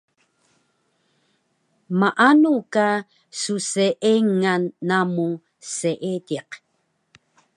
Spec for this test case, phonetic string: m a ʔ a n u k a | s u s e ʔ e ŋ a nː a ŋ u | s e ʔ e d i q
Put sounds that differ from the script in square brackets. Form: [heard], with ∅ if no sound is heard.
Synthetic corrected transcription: m a ʔ a n u k a | s u s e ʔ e ŋ a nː a [m] u | s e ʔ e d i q